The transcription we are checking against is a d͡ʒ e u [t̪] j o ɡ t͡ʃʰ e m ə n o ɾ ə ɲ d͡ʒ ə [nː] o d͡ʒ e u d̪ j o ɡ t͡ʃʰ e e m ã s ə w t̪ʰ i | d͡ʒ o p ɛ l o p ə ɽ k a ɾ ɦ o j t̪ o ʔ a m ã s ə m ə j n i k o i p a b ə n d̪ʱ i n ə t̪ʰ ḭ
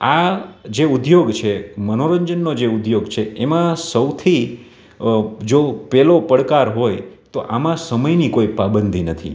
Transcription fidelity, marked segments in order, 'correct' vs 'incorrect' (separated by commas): incorrect, correct